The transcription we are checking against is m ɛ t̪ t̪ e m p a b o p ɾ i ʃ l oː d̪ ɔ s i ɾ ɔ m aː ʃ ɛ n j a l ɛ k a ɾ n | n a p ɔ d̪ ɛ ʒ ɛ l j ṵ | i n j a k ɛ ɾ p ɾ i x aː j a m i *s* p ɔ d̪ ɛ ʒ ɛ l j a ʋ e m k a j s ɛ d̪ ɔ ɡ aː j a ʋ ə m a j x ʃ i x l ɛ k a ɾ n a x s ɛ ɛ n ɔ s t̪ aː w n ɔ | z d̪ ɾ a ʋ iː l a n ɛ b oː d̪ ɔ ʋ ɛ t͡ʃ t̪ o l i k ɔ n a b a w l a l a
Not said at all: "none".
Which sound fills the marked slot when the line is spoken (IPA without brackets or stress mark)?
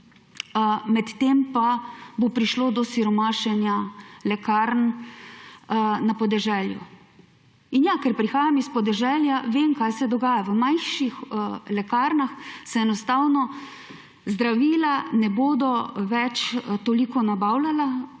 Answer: s